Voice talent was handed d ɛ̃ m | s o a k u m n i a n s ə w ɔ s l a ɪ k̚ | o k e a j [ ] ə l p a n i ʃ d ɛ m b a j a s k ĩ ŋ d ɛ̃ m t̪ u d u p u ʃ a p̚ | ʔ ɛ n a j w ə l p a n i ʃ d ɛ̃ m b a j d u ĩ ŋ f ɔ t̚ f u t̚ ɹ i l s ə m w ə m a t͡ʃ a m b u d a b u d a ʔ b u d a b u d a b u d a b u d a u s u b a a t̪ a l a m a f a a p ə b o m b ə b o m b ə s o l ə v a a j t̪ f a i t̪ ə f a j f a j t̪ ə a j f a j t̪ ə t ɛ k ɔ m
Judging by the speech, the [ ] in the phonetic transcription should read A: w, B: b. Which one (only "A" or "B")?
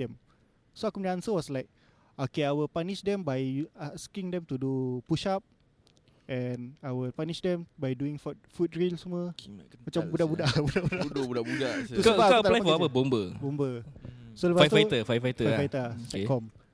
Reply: A